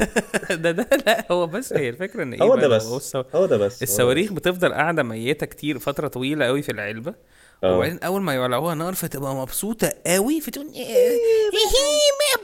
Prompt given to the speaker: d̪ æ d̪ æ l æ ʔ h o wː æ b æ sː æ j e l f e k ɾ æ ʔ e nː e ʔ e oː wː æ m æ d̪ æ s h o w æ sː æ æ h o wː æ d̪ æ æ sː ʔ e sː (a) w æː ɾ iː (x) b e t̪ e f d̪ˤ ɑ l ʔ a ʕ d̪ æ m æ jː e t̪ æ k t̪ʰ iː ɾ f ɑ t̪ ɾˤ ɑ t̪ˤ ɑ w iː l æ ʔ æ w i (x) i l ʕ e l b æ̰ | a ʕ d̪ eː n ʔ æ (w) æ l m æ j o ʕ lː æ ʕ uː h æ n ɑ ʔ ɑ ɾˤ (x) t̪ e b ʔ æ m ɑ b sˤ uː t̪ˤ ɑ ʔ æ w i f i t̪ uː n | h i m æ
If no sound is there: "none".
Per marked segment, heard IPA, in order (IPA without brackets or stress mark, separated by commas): æ, x, f, wː, f